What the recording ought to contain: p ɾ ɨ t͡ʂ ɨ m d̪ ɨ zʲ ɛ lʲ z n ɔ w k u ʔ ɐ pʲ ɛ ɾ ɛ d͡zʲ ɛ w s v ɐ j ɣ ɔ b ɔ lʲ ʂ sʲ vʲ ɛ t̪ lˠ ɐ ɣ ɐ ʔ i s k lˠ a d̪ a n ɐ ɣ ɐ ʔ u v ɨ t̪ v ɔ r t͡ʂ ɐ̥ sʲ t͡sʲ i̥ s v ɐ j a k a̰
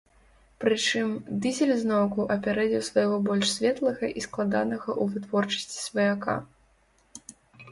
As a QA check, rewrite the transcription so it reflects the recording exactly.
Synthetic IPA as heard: p ɾ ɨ t͡ʂ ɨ m d̪ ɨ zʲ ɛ lʲ z n ɔ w k u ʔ ɐ pʲ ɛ ɾ ɛ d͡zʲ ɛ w s v ɐ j ɣ ɔ b ɔ lʲ ʂ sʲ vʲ ɛ t̪ lˠ ɐ ɣ ɐ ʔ i s k lˠ a d̪ a n ɐ ɣ ɐ ʔ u v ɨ t̪ v ɔ r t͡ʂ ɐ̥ sʲ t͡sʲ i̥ s v ɐ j a k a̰